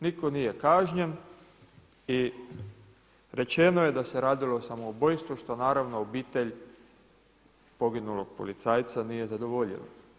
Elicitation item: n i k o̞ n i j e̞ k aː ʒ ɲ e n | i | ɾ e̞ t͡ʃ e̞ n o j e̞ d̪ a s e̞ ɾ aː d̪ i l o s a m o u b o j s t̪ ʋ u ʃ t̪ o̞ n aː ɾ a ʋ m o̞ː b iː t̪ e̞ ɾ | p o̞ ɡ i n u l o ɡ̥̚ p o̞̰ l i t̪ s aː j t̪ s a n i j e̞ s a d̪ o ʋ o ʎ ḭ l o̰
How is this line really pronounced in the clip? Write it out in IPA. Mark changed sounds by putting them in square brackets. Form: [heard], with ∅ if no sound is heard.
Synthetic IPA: n i k o̞ n i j e̞ k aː ʒ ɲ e n | i | ɾ e̞ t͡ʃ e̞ n o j e̞ d̪ a s e̞ ɾ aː d̪ i l o s a m o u b o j s t̪ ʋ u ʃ t̪ o̞ n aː ɾ a ʋ [n] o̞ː b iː t̪ e̞ [ʎ] | p o̞ ɡ i n u l o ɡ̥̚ p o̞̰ l i t̪ s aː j t̪ s a n i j e̞ [z] a d̪ o ʋ o ʎ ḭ l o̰